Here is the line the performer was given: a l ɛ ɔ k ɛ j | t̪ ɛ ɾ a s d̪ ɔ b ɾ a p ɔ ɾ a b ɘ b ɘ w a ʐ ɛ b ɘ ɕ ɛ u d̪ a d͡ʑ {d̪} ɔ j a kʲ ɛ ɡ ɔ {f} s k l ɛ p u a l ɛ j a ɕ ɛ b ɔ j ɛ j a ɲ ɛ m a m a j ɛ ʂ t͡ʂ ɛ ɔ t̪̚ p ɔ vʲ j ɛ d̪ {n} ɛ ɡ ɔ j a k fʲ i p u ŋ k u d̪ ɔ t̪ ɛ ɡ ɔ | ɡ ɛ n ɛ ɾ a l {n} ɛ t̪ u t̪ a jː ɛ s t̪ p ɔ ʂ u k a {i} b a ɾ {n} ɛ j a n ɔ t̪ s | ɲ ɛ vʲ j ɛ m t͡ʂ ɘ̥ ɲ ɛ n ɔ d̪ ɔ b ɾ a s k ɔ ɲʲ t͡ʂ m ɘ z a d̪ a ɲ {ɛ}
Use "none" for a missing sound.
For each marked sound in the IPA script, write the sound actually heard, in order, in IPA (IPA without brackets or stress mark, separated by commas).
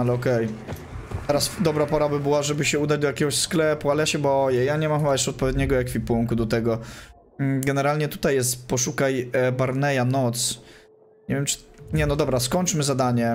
d̪, ɕ, ɲ, ɲ, j, n, ɛ